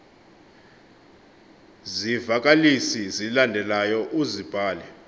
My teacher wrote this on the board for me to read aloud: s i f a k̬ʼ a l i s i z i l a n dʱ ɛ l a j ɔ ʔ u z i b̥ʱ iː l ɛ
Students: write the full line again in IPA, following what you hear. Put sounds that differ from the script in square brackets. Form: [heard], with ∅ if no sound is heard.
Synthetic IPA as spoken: [z] i [v] a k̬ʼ a l i s i z i l a n dʱ ɛ l a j ɔ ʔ u z i b̥ʱ [aː] l ɛ